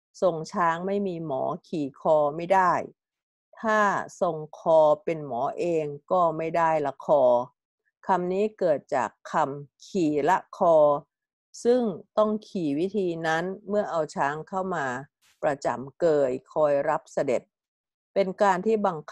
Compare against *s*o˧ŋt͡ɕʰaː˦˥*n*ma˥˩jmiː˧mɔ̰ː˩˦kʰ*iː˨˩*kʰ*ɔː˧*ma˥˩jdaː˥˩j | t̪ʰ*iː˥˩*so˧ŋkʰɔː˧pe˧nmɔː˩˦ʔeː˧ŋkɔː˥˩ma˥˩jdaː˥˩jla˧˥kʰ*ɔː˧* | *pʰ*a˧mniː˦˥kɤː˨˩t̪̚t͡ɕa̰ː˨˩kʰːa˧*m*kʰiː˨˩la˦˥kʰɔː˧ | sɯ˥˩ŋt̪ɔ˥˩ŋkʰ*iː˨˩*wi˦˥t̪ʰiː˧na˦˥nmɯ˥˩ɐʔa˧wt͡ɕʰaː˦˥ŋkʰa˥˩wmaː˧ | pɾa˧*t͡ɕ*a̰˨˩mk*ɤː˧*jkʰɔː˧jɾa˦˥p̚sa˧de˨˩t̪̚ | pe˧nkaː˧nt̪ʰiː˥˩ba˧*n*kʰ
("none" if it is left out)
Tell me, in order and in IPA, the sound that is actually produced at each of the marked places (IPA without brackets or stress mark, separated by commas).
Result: s, ŋ, iː˨˩, ɔː˧, aː˥˩, ɔː˧, kʰ, m, iː˨˩, t͡ɕ, ɤː˧, ŋ